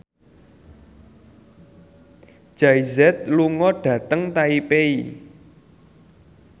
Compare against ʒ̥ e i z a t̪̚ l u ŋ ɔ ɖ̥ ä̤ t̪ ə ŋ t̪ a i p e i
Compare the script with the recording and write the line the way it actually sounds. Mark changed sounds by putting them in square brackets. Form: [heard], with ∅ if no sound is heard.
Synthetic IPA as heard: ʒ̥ [a] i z [ɛ] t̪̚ l u ŋ ɔ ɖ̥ ä̤ t̪ ə ŋ t̪ a i p e i